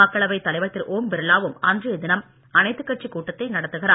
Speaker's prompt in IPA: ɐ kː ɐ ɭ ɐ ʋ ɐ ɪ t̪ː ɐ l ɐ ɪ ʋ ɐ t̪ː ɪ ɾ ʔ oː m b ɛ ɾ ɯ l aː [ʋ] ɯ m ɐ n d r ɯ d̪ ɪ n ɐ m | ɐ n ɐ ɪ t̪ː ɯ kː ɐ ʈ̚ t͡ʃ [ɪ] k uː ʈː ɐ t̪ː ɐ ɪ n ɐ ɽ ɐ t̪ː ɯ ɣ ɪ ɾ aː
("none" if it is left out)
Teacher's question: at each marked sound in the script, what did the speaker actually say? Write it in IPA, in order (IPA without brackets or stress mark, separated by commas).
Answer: ʋ, i